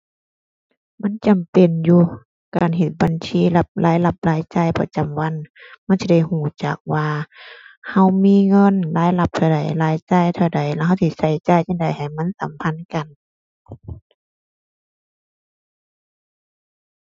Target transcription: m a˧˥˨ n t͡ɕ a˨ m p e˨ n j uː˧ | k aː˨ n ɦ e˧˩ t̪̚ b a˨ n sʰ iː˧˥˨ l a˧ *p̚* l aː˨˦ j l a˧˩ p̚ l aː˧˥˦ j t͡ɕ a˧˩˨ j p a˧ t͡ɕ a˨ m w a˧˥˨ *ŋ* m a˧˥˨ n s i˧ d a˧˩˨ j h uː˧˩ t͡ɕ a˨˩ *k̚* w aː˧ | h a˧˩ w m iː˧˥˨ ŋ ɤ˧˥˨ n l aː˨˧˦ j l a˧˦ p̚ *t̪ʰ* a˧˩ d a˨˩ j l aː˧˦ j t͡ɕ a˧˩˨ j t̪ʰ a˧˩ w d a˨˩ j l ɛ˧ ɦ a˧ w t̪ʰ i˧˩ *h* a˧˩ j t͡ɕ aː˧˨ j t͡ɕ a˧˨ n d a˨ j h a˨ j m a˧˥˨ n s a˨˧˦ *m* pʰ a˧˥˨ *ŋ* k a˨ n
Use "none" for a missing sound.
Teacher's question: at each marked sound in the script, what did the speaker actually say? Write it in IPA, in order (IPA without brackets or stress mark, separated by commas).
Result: p̚, n, k̚, t̪ʰ, s, m, n